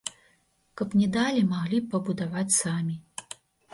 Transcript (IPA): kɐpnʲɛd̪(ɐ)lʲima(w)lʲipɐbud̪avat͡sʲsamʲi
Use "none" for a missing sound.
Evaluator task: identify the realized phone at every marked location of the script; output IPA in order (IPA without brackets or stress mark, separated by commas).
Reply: a, ɣ